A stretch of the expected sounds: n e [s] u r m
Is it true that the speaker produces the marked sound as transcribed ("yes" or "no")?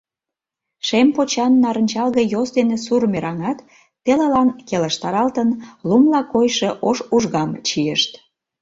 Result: yes